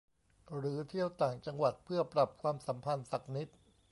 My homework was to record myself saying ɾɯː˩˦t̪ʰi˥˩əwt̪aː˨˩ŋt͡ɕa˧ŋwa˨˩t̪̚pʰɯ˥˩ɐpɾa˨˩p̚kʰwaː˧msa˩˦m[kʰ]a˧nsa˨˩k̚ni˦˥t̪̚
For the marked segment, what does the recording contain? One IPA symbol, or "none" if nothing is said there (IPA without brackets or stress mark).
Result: pʰ